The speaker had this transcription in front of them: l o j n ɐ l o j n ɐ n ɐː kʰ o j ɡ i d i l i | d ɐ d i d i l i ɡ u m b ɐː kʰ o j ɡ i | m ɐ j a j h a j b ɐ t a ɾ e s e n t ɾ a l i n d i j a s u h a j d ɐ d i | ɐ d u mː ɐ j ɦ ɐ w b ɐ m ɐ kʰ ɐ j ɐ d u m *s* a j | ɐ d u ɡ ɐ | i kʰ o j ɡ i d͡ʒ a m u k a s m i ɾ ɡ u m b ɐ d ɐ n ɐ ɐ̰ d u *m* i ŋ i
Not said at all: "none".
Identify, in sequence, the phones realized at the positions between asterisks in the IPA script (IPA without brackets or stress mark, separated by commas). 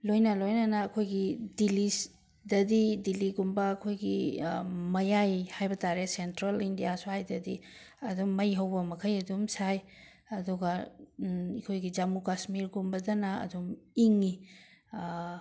s, m